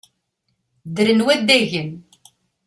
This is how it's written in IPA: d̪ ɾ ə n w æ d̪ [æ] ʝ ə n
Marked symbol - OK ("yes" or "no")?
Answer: yes